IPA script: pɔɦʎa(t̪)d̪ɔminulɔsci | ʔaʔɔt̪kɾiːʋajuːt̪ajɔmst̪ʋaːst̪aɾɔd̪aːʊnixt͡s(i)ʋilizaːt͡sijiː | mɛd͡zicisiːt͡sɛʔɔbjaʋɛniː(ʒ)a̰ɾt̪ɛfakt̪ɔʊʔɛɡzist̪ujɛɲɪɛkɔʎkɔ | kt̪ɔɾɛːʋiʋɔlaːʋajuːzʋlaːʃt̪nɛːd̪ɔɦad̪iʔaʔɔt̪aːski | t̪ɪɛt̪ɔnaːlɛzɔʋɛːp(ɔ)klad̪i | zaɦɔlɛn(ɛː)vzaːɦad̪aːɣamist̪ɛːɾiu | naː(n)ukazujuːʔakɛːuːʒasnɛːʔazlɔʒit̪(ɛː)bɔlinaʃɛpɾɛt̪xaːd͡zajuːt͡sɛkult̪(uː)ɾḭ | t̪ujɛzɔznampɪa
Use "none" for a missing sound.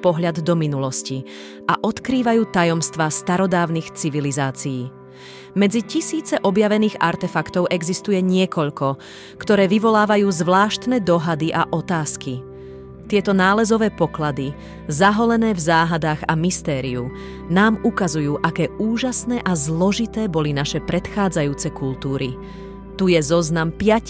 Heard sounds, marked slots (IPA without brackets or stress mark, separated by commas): d̪, i, ɣ, ɔ, ɛː, m, ɛː, uː